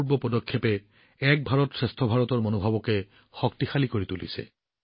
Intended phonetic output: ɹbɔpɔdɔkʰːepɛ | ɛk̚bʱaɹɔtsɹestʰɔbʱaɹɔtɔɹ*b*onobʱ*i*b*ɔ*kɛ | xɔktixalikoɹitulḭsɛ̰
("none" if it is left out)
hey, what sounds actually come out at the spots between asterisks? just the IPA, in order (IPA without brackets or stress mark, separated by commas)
m, a, ɔ